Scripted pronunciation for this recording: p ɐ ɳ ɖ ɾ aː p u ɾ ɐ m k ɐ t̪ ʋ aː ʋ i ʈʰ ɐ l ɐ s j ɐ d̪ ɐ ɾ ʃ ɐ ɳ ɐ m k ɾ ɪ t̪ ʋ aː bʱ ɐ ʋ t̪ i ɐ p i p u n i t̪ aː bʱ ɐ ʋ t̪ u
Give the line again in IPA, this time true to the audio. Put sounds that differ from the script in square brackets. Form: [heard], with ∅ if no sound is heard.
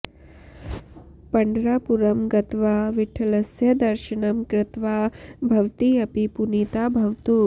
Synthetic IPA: p ɐ ɳ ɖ ɾ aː p u ɾ ɐ m [ɡ] ɐ t̪ ʋ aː ʋ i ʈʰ ɐ l ɐ s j ɐ d̪ ɐ ɾ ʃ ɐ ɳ ɐ m k ɾ ɪ t̪ ʋ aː bʱ ɐ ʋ t̪ i ɐ p i p u n i t̪ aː bʱ ɐ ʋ t̪ u

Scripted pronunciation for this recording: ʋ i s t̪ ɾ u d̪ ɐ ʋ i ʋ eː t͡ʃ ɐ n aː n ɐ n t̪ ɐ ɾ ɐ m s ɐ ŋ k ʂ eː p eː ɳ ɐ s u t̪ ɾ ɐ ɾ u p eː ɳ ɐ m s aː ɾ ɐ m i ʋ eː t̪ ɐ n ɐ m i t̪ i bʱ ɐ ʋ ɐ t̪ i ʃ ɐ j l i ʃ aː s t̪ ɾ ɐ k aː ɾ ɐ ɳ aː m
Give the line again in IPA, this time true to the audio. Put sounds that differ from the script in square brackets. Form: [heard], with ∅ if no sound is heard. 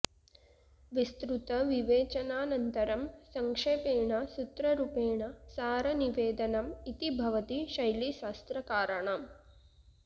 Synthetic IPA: ʋ i s t̪ ɾ u [t̪] ɐ ʋ i ʋ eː t͡ʃ ɐ n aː n ɐ n t̪ ɐ ɾ ɐ m s ɐ ŋ k ʂ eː p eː ɳ ɐ s u t̪ ɾ ɐ ɾ u p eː ɳ ɐ [∅] s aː ɾ ɐ [n] i ʋ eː [d̪] ɐ n ɐ m i t̪ i bʱ ɐ ʋ ɐ t̪ i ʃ ɐ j l i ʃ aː s t̪ ɾ ɐ k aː ɾ ɐ ɳ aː m

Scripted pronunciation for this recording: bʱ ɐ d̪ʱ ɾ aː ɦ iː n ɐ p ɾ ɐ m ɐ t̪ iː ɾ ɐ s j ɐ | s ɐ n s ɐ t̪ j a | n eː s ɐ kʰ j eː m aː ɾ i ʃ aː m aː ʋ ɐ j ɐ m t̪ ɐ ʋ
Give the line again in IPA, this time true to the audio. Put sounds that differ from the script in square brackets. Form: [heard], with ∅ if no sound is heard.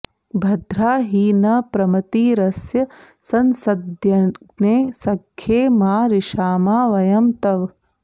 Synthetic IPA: bʱ ɐ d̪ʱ ɾ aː ɦ iː n ɐ p ɾ ɐ m ɐ t̪ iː ɾ ɐ s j ɐ | s ɐ n s ɐ [d̪] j [ɐ] | n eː s ɐ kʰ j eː m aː ɾ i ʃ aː m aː ʋ ɐ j ɐ m t̪ ɐ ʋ

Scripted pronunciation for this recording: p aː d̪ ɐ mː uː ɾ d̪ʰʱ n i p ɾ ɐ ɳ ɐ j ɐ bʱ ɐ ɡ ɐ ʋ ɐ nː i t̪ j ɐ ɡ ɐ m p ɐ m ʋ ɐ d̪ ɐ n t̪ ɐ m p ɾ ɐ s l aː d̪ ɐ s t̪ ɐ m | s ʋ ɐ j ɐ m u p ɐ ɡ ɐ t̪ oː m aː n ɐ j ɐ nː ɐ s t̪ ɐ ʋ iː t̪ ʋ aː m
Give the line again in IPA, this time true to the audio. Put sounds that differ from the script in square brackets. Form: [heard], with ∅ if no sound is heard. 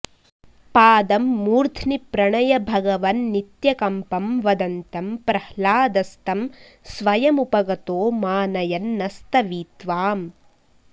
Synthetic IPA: p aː d̪ ɐ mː uː ɾ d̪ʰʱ n i p ɾ ɐ ɳ ɐ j ɐ bʱ ɐ ɡ ɐ ʋ ɐ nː i t̪ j ɐ [k] ɐ m p ɐ m ʋ ɐ d̪ ɐ n t̪ ɐ m p ɾ ɐ [h] l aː d̪ ɐ s t̪ ɐ m | s ʋ ɐ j ɐ m u p ɐ ɡ ɐ t̪ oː m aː n ɐ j ɐ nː ɐ s t̪ ɐ ʋ iː t̪ ʋ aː m

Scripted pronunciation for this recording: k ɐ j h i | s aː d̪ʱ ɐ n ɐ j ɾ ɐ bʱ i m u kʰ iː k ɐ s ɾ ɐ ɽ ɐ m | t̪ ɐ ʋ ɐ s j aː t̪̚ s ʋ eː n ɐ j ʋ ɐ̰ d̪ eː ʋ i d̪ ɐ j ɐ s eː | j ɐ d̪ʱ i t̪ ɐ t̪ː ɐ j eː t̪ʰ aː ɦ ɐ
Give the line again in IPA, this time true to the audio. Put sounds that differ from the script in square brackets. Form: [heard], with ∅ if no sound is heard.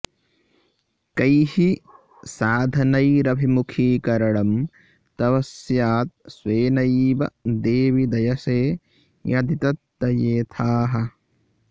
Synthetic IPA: k ɐ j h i | s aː d̪ʱ ɐ n ɐ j ɾ ɐ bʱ i m u kʰ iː k ɐ [∅] ɾ ɐ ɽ ɐ m | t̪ ɐ ʋ ɐ s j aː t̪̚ s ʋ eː n ɐ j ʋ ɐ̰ d̪ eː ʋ i d̪ ɐ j ɐ s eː | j ɐ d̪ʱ i t̪ ɐ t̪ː ɐ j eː t̪ʰ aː ɦ ɐ

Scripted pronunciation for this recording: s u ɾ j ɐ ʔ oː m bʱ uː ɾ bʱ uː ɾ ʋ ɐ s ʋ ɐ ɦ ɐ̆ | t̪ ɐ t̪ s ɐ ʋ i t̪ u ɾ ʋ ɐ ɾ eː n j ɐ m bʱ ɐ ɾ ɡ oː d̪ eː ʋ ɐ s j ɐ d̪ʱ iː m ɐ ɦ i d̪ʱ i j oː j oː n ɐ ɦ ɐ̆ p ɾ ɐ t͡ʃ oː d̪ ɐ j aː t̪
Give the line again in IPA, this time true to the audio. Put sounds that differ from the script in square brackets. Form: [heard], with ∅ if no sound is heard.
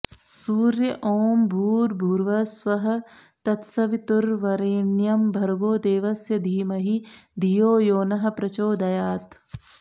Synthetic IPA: s [uː] ɾ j ɐ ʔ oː m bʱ uː ɾ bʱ uː ɾ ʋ ɐ s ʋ ɐ ɦ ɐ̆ | t̪ ɐ t̪ s ɐ ʋ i t̪ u ɾ ʋ ɐ ɾ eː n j ɐ m bʱ ɐ ɾ ɡ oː d̪ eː ʋ ɐ s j ɐ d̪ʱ iː m ɐ ɦ i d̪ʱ i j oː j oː n ɐ ɦ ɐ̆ p ɾ ɐ t͡ʃ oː d̪ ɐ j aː t̪

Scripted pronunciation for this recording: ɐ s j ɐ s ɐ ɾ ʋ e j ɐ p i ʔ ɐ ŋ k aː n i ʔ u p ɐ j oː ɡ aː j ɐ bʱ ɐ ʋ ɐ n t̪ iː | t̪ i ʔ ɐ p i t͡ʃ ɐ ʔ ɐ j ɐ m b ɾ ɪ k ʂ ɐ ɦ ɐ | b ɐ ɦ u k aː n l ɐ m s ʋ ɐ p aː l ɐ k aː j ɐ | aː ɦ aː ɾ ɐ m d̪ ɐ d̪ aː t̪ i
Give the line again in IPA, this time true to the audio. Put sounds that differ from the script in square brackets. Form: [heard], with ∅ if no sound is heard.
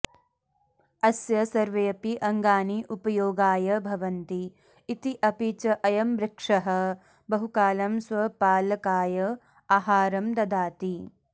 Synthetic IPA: ɐ s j ɐ s ɐ ɾ ʋ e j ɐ p i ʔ ɐ ŋ [ɡ] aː n i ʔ u p ɐ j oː ɡ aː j ɐ bʱ ɐ ʋ ɐ n t̪ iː | t̪ i ʔ ɐ p i t͡ʃ ɐ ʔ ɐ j ɐ m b ɾ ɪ k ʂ ɐ ɦ ɐ | b ɐ ɦ u k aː [∅] l ɐ m s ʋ ɐ p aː l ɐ k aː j ɐ | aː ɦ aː ɾ ɐ m d̪ ɐ d̪ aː t̪ i

